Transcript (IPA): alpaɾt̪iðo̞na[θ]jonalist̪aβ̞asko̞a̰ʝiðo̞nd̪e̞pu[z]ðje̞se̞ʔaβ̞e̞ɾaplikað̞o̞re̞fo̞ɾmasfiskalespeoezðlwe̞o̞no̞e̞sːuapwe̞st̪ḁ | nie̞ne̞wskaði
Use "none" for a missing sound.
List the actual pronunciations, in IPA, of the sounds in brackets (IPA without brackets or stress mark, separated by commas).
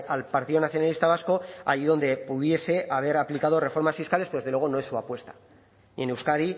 θ, none